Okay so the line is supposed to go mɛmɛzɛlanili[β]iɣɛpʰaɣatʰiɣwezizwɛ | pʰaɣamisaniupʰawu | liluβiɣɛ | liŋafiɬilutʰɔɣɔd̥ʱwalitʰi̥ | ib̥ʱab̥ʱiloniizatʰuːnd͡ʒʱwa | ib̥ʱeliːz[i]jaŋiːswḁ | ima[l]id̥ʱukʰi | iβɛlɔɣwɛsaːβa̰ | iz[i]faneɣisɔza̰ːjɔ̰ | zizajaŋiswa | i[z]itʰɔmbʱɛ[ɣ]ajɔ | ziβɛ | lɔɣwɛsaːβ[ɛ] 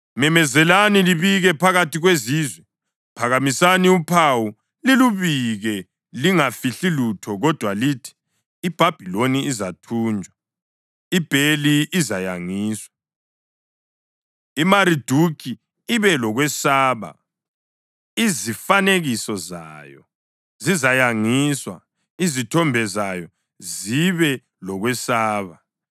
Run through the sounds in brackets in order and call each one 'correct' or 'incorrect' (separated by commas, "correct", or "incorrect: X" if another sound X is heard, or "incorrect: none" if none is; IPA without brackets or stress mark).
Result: correct, incorrect: a, incorrect: ɾ, correct, correct, incorrect: z, incorrect: a